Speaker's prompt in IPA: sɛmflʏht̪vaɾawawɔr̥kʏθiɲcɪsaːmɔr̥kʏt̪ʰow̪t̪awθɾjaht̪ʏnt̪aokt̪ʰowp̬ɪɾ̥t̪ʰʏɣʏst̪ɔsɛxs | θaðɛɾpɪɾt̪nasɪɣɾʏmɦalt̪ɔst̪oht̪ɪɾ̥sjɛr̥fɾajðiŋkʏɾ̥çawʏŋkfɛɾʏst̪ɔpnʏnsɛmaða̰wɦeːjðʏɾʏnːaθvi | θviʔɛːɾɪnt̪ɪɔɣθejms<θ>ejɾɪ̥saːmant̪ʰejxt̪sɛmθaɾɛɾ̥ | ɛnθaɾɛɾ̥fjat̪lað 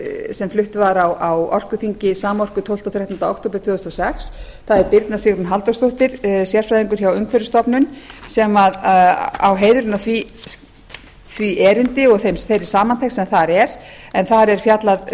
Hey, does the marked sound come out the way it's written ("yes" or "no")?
yes